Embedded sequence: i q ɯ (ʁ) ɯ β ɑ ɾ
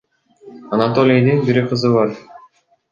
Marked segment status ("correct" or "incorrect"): incorrect